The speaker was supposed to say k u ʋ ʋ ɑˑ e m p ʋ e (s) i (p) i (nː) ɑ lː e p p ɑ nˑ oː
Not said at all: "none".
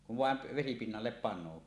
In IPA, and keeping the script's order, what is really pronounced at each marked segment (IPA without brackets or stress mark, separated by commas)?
s, p, nː